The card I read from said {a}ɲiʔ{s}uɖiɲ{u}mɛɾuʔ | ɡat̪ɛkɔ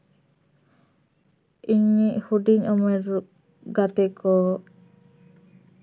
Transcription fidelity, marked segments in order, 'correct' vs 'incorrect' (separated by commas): incorrect, incorrect, incorrect